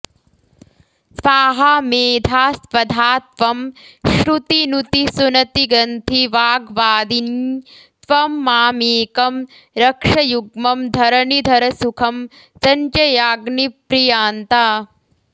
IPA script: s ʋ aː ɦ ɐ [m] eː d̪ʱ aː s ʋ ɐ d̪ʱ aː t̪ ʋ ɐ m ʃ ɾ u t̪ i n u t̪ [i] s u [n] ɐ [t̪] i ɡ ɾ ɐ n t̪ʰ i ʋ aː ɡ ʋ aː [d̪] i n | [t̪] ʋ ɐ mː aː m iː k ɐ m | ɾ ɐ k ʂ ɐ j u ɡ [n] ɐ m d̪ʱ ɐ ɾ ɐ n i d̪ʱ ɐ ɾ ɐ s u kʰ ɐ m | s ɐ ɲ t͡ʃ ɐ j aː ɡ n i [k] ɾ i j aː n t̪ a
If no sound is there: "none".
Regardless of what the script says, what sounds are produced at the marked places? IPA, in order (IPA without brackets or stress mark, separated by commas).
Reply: m, i, n, t̪, d̪, t̪, m, p